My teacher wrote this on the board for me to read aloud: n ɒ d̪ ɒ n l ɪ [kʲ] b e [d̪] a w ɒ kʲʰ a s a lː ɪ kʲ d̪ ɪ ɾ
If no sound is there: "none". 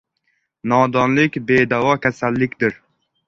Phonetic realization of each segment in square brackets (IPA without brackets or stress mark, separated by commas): kʲ, d̪